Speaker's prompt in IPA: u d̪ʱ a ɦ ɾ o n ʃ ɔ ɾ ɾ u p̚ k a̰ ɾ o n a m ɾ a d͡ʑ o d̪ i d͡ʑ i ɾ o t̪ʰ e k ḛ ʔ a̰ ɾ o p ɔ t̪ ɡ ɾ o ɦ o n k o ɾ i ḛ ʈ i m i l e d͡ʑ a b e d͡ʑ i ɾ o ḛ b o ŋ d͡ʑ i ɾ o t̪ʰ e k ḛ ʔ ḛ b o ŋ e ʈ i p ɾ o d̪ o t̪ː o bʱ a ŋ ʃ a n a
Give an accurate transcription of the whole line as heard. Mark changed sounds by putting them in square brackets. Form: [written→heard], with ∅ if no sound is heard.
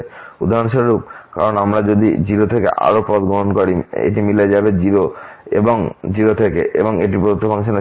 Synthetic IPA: u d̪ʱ a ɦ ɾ o n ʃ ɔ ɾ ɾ u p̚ k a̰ ɾ o n a m ɾ a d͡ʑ o d̪ i d͡ʑ i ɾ o t̪ʰ e k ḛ ʔ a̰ ɾ o p ɔ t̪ ɡ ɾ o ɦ o n k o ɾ i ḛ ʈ i m i l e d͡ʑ a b e d͡ʑ i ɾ o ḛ b o ŋ d͡ʑ i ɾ o t̪ʰ e k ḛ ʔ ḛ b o ŋ e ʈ i p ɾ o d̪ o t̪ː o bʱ a ŋ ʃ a n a

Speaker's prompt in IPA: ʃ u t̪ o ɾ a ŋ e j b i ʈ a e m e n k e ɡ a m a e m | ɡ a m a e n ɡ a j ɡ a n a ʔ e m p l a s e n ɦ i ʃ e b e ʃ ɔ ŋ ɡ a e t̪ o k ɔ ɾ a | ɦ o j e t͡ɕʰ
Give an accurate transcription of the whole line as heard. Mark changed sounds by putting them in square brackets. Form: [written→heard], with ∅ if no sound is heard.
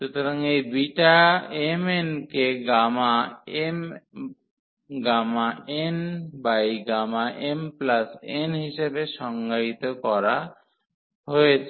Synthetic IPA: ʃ u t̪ o ɾ a ŋ e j b i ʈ a e m e n k e ɡ a m a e m | ɡ a m a e n [ɡ→b] a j ɡ a [n→m] a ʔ e m p l a s e n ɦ i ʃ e b e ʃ ɔ ŋ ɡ a [e→i] t̪ o k ɔ ɾ a | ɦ o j e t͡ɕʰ

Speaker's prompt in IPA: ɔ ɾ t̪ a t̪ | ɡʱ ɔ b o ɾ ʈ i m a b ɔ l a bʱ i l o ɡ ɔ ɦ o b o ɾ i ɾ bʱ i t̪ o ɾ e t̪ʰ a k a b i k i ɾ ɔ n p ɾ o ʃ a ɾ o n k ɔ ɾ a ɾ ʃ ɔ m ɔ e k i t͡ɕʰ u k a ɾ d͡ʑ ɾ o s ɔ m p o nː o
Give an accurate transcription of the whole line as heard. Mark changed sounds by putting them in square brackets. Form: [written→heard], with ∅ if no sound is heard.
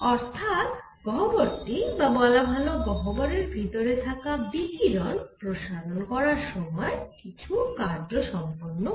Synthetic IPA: ɔ ɾ [t̪→t̪ʰ] a t̪ | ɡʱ ɔ b o ɾ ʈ i [m→b] a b ɔ l a bʱ [i→a] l o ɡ ɔ ɦ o b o ɾ [i→e] ɾ bʱ i t̪ o ɾ e t̪ʰ a k a b i k i ɾ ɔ n p ɾ o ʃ a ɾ o n k ɔ ɾ a ɾ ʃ ɔ m ɔ e k i t͡ɕʰ u k a ɾ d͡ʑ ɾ o [s→ʃ] ɔ m p o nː o

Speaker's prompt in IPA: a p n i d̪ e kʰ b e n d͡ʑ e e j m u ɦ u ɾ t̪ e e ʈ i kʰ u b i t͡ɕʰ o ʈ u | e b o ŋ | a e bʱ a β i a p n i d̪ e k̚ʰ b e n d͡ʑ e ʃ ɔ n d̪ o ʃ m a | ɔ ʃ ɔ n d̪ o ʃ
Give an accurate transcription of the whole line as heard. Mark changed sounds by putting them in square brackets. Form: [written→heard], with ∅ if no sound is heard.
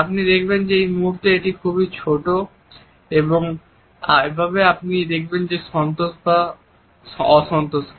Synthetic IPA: a p n i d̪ e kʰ b e n d͡ʑ e e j m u ɦ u ɾ t̪ e e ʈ i kʰ u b i t͡ɕʰ o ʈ [u→o] | e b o ŋ | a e bʱ a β [i→e] a p n i d̪ e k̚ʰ b e n d͡ʑ e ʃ ɔ n [d̪→t̪] o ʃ [m→b] a | ɔ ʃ ɔ n [d̪→t̪] o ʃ

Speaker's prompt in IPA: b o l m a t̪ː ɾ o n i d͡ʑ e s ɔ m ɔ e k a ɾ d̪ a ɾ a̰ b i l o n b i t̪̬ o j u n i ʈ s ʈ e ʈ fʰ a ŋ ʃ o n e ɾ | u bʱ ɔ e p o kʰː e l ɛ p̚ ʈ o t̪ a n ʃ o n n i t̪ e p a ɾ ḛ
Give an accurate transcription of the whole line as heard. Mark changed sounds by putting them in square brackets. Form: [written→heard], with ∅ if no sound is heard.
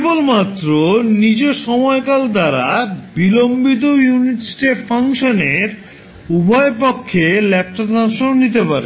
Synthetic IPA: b o l m a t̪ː ɾ o n i d͡ʑ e [s→ʃ] ɔ m ɔ e k a [ɾ→l] d̪ a ɾ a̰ b i l o [n→m] b i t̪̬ o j u n i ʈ s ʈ e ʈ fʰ a ŋ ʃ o n e ɾ | u bʱ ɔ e p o kʰː e l ɛ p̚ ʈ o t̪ a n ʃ o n n i t̪ e p a ɾ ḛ

